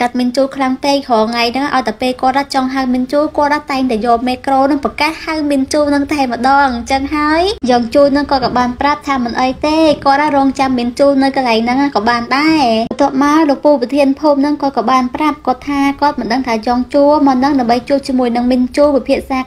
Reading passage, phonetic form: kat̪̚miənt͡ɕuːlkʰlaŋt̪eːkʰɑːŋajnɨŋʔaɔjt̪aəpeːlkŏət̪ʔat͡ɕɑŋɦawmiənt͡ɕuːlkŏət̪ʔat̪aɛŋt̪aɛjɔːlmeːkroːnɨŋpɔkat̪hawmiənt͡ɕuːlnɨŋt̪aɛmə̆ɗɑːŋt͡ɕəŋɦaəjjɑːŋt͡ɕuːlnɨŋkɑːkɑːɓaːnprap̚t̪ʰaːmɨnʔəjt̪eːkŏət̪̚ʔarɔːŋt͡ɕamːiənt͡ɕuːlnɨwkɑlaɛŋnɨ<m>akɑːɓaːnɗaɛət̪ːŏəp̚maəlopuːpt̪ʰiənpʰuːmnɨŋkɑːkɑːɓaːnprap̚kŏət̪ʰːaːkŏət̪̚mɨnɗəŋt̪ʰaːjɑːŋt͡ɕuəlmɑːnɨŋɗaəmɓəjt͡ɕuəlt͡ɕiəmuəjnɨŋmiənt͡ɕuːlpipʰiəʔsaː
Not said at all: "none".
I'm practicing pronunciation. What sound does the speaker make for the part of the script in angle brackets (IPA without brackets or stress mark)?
ŋ